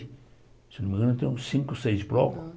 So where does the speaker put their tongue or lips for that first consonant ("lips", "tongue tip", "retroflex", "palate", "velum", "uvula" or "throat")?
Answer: tongue tip